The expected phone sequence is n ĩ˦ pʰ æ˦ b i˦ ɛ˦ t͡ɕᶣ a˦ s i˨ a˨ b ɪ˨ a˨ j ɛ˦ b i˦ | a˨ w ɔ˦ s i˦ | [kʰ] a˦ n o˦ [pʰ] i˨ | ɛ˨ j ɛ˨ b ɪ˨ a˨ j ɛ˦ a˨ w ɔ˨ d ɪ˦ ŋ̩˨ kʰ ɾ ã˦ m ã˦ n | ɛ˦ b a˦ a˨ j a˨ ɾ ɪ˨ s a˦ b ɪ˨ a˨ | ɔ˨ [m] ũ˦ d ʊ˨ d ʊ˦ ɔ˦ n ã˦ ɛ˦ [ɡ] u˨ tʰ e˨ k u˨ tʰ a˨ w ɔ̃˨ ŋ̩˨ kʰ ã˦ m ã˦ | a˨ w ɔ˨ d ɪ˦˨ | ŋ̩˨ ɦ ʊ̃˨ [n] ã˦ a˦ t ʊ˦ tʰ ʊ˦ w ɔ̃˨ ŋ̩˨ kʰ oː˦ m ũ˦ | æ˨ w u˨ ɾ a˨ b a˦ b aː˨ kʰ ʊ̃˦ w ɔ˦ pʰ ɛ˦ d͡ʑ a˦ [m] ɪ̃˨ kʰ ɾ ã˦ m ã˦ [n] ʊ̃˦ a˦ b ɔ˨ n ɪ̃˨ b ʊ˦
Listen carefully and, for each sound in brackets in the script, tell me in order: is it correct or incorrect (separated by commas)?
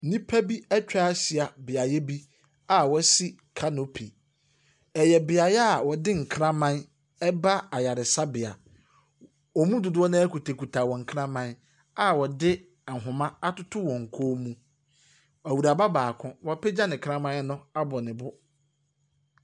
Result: correct, correct, correct, incorrect, incorrect, incorrect, correct